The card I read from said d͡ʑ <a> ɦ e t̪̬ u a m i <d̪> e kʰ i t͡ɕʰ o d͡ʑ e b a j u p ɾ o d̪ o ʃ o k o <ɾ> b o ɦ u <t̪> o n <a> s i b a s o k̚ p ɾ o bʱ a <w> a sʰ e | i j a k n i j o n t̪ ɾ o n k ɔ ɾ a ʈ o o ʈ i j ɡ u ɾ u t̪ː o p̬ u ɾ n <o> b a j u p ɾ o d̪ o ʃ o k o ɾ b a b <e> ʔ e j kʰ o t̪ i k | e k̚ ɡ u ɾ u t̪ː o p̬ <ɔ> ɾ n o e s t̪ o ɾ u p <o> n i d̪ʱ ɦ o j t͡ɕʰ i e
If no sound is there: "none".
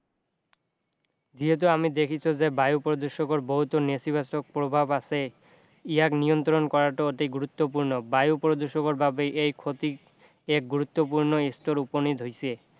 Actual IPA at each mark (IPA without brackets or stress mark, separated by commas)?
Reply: i, d̪, ɾ, t̪, e, b, o, e, u, o